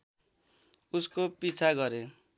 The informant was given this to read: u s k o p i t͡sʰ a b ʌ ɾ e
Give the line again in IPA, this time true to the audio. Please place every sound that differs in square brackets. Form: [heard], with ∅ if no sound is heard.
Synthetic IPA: u s k o p i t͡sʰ a [ɡ] ʌ ɾ e